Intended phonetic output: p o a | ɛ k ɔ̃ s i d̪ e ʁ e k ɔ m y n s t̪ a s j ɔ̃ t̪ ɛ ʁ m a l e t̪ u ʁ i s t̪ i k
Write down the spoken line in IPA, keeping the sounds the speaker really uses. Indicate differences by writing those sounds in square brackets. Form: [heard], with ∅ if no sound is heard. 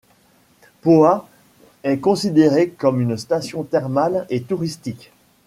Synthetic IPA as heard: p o a | ɛ k ɔ̃ s i d̪ e ʁ e k ɔ m y n s t̪ a s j ɔ̃ t̪ ɛ ʁ m a l e t̪ u ʁ i s t̪ i k